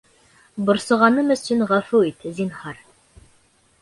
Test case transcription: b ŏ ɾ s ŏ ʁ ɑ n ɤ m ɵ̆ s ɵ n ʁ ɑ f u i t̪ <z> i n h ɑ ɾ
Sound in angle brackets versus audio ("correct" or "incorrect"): correct